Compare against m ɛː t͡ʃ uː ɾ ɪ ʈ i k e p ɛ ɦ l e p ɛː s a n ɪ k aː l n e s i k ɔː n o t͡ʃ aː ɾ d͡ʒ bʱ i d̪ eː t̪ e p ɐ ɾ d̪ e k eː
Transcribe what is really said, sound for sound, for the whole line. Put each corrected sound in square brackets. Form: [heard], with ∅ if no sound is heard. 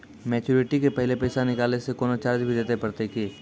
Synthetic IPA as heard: m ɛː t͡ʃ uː ɾ ɪ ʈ i k e p ɛ ɦ l e p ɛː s a n ɪ k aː l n e s [e] k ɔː n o t͡ʃ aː ɾ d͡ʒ bʱ i d̪ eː t̪ e p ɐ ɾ [t̪] e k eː